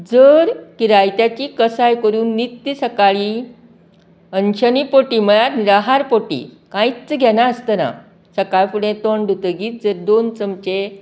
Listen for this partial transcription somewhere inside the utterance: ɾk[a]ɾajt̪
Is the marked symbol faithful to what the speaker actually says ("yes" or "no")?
no